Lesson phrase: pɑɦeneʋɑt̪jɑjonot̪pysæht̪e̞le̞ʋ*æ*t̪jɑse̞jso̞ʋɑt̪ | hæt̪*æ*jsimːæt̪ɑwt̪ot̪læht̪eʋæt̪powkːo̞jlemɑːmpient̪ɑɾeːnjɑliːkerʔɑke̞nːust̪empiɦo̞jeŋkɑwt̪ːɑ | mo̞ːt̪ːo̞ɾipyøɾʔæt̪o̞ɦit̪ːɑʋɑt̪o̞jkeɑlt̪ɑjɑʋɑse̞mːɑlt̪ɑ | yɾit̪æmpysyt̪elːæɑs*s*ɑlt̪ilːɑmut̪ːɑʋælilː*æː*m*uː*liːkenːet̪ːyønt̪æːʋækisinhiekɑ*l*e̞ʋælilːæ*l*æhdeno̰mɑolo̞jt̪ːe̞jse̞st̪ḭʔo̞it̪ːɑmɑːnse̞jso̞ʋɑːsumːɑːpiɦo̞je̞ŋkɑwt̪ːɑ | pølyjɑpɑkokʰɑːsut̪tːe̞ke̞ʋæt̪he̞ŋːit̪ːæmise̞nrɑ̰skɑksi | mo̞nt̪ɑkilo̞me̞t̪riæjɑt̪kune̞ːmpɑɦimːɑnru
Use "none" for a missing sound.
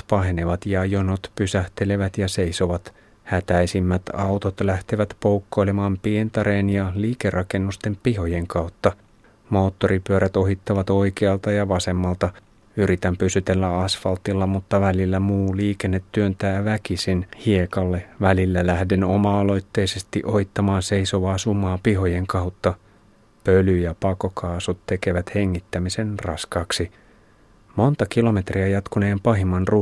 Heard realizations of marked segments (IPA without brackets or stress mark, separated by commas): æ, æ, f, æ, uː, lː, l